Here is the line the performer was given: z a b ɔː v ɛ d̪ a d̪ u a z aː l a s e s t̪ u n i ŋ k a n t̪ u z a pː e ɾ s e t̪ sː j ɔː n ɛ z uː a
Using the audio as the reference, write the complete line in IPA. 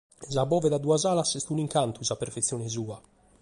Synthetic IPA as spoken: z a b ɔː v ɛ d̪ a d̪ u a z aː l a s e s t̪ u n i ŋ k a n t̪ u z a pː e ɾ f e t̪ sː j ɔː n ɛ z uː a